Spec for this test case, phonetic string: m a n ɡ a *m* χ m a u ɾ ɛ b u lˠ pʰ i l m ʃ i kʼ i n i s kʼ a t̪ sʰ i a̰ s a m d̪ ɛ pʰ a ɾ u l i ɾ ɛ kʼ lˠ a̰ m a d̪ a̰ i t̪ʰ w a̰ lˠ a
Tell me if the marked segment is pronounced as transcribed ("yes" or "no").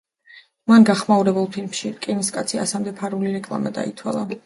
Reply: no